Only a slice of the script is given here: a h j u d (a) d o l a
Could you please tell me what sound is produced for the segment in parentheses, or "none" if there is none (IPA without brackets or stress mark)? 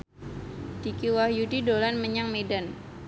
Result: i